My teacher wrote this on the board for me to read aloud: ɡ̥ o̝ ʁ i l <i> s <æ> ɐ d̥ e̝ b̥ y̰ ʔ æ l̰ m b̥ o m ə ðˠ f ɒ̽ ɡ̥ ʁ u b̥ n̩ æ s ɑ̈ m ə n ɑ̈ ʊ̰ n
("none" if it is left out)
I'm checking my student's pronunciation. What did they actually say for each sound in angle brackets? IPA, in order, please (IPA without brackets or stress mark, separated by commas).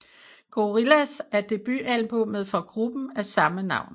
æ, æ